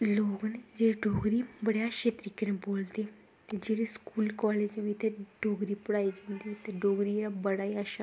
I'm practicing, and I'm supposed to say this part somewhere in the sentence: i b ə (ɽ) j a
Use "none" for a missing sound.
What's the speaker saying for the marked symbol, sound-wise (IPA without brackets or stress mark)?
ɽ